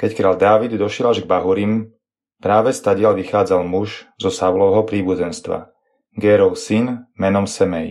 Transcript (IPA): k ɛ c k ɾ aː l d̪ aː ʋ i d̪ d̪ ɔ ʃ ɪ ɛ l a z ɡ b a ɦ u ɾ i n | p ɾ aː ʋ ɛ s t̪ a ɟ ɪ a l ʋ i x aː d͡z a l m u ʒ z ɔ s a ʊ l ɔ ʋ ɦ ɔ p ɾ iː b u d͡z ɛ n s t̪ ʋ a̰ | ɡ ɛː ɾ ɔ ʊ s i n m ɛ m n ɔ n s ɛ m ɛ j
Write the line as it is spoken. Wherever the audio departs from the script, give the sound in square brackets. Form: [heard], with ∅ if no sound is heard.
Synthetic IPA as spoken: k ɛ c k ɾ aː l d̪ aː ʋ i d̪ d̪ ɔ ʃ ɪ ɛ l a [ʒ] ɡ b a ɦ u ɾ i [m] | p ɾ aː ʋ ɛ s t̪ a ɟ ɪ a l ʋ i x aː d͡z a l m u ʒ z ɔ s a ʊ l ɔ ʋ ɦ ɔ p ɾ iː b u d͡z ɛ n s t̪ ʋ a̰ | ɡ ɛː ɾ ɔ ʊ s i n m ɛ [∅] n ɔ [m] s ɛ m ɛ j